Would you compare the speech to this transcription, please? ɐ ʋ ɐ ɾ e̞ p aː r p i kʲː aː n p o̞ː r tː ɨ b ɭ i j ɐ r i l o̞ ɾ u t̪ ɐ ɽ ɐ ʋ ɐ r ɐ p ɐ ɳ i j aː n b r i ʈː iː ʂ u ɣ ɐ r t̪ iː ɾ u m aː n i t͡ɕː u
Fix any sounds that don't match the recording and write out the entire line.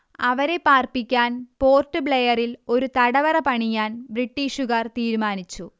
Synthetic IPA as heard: ɐ ʋ ɐ ɾ e̞ p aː r p i kʲː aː n p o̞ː r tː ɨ b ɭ e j ɐ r i l o̞ ɾ u t̪ ɐ ɽ ɐ ʋ ɐ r ɐ p ɐ ɳ i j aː n b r i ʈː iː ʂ u ɣ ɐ r t̪ iː ɾ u m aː n i t͡ɕː u